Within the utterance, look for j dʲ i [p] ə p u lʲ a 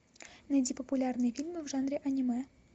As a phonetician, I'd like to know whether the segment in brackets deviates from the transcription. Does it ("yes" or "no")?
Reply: no